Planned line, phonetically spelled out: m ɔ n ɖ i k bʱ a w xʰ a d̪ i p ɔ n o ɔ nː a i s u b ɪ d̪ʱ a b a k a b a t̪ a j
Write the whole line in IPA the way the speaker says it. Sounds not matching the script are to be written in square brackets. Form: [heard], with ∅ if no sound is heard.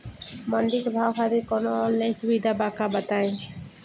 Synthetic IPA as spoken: m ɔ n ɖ i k bʱ a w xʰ a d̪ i [k] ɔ n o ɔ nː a [j] s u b [i] d̪ʱ a b a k a b a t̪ a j